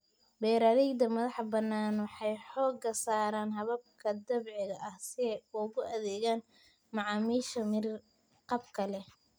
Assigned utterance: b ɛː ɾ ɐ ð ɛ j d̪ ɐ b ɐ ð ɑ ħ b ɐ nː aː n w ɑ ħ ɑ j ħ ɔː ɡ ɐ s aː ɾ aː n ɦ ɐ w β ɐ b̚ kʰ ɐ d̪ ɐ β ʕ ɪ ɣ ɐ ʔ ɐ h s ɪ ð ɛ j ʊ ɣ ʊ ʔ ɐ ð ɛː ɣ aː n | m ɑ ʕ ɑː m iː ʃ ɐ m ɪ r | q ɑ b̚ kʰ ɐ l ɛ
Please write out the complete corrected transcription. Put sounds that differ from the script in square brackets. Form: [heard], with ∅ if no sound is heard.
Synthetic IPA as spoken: b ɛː ɾ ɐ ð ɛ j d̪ ɐ [m] ɐ ð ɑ ħ b ɐ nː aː n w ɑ ħ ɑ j ħ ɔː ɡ ɐ s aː ɾ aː n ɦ ɐ [∅] β ɐ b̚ kʰ ɐ d̪ ɐ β ʕ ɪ ɣ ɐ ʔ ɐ h s ɪ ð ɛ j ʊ ɣ ʊ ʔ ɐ ð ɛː ɣ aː n | m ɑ ʕ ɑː m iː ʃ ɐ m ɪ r | q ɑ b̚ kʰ ɐ l ɛ